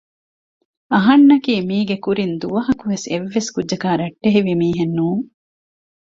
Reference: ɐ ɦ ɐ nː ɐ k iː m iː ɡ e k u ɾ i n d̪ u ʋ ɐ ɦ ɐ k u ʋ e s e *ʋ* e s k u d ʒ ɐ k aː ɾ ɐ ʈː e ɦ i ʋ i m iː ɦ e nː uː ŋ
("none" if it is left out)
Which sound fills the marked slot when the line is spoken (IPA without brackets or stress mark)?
ʋː